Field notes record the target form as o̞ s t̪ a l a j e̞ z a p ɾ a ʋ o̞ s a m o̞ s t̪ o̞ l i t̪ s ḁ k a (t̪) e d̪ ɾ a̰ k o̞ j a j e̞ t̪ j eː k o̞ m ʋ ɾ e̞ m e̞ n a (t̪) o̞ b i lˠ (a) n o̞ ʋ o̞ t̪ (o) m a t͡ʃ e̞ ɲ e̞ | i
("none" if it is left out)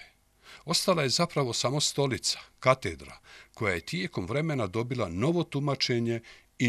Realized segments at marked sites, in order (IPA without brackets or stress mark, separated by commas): t̪, d̪, a, u